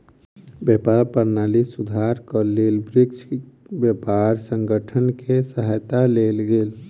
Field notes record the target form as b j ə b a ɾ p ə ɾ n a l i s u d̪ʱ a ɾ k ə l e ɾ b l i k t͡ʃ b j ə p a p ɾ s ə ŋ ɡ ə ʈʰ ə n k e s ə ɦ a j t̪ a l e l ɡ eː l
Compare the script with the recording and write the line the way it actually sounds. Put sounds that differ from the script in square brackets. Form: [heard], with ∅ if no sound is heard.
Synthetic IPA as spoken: b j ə [p] a ɾ p ə ɾ n a l i s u d̪ʱ a ɾ k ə l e [l] b [ɾ] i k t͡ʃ b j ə p a [∅] ɾ s ə ŋ ɡ ə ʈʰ ə n k e s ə ɦ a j t̪ a l e l ɡ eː l